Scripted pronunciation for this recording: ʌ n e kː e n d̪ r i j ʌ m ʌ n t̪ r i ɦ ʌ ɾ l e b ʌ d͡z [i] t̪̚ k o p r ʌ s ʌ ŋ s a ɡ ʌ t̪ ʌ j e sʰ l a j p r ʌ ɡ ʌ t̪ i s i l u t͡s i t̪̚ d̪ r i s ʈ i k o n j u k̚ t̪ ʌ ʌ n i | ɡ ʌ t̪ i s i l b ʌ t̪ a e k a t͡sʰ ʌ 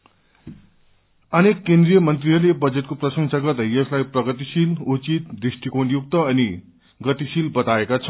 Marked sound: incorrect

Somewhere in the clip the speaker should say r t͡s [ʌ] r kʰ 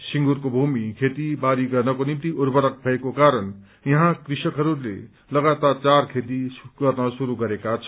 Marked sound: incorrect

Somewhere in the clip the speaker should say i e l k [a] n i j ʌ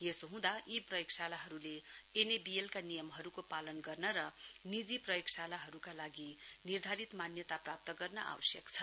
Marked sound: correct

